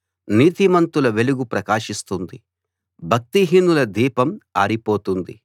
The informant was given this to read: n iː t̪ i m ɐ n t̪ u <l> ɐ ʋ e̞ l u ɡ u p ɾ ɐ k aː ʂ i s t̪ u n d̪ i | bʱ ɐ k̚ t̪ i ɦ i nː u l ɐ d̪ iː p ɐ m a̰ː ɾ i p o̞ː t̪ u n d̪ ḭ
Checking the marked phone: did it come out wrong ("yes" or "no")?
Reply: no